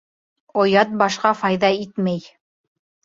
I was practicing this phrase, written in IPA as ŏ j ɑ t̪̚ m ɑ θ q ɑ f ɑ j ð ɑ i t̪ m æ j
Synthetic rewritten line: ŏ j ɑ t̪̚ b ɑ ʃ q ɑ f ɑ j ð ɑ i t̪ m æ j